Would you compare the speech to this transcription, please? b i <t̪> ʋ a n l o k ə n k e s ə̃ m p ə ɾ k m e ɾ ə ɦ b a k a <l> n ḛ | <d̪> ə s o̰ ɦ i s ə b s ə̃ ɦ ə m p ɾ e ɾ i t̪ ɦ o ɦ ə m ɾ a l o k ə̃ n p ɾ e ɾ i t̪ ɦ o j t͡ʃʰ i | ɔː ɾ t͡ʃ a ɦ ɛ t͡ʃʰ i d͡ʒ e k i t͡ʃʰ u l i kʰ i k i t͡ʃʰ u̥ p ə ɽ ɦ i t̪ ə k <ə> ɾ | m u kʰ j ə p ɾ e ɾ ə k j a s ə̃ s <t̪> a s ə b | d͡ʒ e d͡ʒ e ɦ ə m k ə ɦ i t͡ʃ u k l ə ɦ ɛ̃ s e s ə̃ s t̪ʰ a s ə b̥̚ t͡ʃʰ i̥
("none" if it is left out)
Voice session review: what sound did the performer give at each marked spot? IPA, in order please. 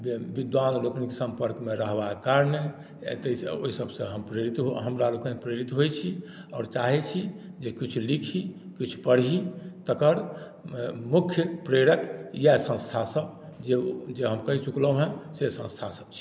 d̪, ɾ, t̪, ə, t̪ʰ

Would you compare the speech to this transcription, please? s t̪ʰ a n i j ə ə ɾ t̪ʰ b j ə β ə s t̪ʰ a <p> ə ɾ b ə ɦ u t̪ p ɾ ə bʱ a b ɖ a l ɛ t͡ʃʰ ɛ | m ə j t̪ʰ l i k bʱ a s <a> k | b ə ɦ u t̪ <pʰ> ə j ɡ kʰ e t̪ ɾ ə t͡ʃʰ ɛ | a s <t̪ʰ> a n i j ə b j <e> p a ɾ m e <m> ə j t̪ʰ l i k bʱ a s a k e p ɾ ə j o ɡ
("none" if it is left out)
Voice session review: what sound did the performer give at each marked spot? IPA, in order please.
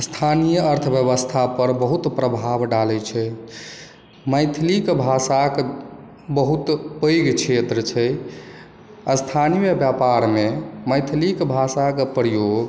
p, a, p, t̪ʰ, a, m

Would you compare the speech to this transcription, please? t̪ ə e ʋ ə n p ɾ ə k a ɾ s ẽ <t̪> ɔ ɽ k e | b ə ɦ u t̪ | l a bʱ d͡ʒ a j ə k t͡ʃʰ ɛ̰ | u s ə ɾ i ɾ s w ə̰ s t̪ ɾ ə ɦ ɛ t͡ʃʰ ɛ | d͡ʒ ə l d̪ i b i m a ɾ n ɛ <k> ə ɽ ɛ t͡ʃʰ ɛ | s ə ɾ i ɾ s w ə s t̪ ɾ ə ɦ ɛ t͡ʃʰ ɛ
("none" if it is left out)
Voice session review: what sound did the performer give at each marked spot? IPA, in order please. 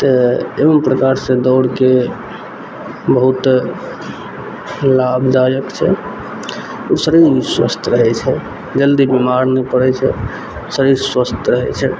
d̪, p

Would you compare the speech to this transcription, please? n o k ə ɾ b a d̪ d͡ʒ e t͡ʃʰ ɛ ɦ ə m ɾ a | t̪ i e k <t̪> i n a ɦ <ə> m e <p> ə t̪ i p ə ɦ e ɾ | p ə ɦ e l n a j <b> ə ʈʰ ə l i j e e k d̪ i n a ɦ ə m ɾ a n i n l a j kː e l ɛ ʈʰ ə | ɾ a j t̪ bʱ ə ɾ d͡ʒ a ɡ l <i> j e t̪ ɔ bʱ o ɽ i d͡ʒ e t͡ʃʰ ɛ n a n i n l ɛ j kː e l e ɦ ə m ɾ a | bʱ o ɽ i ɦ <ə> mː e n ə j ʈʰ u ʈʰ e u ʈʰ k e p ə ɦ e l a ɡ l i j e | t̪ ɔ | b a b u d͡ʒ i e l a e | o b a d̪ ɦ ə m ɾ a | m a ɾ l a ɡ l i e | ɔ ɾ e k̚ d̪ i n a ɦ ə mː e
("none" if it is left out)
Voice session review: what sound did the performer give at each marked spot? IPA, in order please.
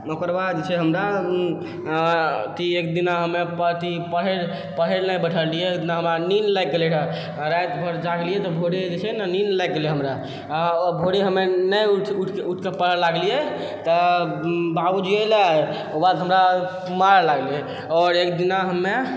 d̪, ə, p, b, i, ə

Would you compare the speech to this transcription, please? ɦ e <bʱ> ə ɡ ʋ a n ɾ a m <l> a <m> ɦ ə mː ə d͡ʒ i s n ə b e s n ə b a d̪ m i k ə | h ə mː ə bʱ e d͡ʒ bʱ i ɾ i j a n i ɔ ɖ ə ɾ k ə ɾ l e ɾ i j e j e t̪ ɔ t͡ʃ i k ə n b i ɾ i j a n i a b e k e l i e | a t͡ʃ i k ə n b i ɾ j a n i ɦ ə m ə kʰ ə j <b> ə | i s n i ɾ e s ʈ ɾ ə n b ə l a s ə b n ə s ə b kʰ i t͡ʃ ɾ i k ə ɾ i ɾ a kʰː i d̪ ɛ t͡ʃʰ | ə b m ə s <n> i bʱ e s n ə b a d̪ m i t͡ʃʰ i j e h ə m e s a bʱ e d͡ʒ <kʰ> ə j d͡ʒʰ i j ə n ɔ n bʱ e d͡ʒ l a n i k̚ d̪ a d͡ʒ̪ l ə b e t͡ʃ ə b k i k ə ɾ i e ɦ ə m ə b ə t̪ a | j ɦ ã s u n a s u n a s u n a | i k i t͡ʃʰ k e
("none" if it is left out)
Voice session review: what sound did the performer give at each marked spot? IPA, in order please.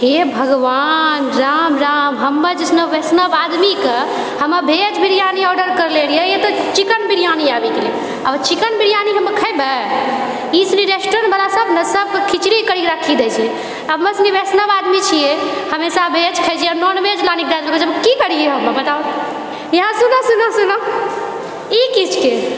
bʱ, ɾ, m, b, n, kʰ

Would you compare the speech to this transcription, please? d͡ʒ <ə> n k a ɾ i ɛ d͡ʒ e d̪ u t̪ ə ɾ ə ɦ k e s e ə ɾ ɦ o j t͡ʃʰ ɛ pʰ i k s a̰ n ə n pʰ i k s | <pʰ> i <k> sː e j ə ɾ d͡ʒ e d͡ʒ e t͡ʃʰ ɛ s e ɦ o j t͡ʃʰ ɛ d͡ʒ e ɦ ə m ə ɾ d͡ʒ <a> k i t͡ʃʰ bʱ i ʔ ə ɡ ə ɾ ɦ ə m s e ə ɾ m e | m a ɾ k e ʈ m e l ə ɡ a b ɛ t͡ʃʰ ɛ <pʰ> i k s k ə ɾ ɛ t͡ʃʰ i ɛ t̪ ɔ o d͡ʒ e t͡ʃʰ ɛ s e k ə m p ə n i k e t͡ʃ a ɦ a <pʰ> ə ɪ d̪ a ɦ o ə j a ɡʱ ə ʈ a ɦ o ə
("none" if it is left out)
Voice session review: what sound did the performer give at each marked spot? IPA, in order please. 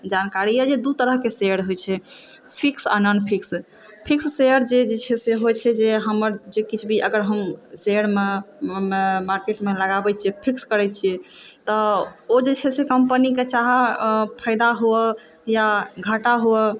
a, pʰ, k, e, pʰ, pʰ

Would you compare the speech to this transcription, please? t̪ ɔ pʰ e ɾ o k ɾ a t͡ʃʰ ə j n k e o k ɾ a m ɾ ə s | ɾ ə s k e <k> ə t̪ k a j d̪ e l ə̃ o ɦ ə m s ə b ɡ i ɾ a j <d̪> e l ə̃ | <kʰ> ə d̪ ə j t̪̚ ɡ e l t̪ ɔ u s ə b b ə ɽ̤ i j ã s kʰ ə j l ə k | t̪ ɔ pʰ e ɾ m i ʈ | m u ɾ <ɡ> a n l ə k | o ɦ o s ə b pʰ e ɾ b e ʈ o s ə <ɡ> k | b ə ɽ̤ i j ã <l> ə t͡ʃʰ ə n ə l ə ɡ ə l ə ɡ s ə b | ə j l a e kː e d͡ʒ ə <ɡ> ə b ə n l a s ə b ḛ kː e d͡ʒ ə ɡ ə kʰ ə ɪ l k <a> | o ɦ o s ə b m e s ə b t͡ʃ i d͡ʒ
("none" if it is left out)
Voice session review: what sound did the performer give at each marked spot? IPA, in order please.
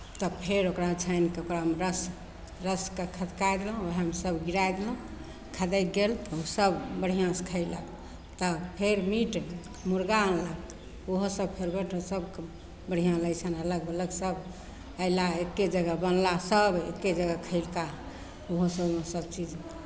kʰ, d̪, kʰ, ɡ, b, l, ɡ, a

